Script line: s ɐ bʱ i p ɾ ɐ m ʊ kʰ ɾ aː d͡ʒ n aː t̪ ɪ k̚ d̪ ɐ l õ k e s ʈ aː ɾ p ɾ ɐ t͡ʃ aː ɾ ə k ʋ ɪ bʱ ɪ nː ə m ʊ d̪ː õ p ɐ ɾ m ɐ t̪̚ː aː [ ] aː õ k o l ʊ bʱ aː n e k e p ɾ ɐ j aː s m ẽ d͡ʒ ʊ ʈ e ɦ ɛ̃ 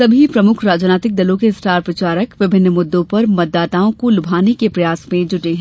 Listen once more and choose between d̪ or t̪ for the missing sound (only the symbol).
t̪